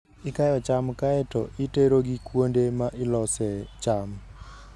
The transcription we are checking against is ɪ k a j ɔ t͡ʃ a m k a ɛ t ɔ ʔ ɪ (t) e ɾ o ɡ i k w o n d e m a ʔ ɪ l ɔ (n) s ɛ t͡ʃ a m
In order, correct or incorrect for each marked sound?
correct, incorrect: none

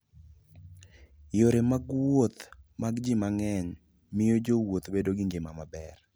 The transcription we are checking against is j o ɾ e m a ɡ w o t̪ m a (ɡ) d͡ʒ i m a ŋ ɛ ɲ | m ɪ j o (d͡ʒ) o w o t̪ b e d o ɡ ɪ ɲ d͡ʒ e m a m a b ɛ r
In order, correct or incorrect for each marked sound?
correct, correct

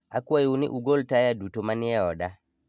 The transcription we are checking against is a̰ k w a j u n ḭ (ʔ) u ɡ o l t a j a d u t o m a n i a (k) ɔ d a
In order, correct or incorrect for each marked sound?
correct, incorrect: none

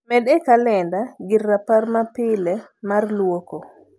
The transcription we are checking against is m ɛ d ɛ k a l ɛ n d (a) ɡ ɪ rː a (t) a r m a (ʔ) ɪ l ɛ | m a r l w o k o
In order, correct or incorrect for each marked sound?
correct, incorrect: p, incorrect: p

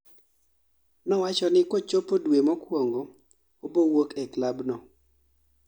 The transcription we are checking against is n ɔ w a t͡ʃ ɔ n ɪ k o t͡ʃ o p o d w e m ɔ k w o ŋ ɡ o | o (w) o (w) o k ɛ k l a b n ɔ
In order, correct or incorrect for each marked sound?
incorrect: b, correct

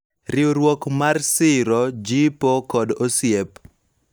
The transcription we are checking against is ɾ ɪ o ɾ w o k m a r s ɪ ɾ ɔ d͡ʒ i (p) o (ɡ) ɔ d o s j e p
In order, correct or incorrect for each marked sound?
correct, incorrect: k

